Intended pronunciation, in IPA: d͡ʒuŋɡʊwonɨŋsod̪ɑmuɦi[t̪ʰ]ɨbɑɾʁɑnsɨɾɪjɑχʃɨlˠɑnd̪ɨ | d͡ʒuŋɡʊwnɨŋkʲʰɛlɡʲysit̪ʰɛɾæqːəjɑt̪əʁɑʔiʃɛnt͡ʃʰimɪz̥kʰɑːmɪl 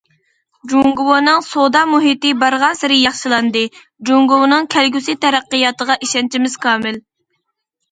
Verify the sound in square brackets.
incorrect: t̪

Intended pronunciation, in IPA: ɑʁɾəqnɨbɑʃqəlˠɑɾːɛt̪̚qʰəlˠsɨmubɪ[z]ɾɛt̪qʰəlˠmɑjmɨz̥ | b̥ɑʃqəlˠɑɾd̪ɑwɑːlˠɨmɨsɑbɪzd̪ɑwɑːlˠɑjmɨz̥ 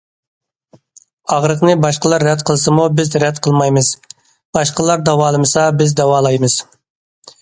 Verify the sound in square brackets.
correct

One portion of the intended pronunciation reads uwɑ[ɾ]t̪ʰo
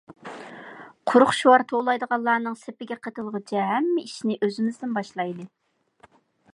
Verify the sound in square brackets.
correct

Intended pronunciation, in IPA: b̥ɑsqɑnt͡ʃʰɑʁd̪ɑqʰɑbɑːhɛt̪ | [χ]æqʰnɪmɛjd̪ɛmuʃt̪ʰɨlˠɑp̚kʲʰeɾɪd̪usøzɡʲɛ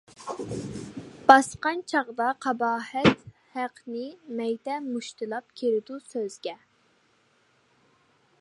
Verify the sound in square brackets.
incorrect: h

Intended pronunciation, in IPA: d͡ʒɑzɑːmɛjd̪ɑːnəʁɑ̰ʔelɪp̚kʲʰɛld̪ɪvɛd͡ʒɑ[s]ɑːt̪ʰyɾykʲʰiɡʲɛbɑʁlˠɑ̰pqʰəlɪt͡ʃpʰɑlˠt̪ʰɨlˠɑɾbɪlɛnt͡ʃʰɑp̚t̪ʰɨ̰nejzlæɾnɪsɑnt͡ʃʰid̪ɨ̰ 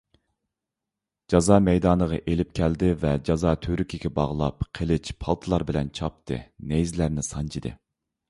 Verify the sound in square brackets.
incorrect: z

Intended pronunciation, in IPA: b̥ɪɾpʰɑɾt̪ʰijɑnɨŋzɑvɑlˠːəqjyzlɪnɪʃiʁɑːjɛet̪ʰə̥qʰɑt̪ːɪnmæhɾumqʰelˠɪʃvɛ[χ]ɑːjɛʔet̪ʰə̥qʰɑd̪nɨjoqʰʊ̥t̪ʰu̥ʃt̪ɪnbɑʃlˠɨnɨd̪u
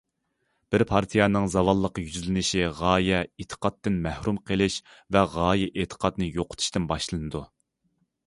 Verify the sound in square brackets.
incorrect: ʁ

